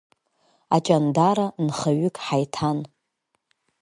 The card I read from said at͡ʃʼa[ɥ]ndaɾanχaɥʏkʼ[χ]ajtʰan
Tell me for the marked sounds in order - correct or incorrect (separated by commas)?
incorrect, incorrect